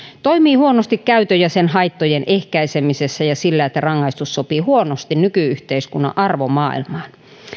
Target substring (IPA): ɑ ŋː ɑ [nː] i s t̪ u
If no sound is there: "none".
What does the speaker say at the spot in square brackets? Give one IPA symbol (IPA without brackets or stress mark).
none